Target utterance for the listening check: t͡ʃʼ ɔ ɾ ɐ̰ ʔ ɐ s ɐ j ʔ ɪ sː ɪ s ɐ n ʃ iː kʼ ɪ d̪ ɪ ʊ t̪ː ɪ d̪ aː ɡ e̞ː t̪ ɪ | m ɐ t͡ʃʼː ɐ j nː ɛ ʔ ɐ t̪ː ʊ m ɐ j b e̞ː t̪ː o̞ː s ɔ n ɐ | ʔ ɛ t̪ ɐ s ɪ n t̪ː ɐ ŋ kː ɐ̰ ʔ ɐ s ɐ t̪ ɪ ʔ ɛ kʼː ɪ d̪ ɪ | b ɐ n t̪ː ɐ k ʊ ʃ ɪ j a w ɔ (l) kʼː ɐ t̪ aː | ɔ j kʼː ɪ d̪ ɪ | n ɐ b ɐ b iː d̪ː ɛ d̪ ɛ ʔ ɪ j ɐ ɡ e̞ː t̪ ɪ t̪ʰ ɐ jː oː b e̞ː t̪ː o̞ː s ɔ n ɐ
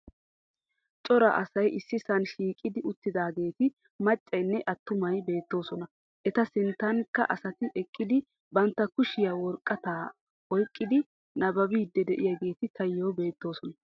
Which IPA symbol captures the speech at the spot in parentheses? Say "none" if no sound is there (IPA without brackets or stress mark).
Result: ɾ